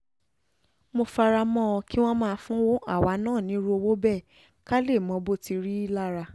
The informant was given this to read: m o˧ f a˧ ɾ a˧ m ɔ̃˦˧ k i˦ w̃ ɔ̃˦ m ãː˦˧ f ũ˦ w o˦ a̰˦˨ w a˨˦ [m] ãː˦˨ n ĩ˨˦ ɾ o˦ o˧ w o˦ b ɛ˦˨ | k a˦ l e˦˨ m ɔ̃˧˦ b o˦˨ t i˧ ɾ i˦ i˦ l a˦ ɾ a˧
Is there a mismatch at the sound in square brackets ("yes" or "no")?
yes